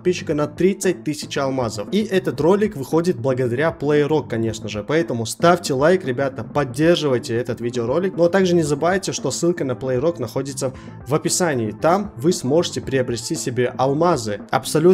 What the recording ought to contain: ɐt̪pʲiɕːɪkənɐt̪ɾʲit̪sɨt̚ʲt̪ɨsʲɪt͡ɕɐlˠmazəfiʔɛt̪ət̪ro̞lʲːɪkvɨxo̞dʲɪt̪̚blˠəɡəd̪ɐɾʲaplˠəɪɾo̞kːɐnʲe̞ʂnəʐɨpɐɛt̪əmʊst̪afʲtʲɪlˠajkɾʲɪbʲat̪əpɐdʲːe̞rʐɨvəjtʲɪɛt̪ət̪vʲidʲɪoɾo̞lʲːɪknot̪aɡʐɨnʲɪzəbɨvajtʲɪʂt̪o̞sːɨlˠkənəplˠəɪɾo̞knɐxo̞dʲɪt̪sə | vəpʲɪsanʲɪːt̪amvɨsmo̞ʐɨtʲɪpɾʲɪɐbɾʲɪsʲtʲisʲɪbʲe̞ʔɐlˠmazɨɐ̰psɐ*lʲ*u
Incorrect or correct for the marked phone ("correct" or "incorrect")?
correct